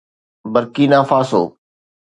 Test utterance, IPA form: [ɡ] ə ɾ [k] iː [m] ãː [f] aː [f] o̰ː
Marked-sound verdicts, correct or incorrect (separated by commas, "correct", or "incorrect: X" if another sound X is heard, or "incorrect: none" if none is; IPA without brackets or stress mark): incorrect: b, correct, incorrect: n, correct, incorrect: s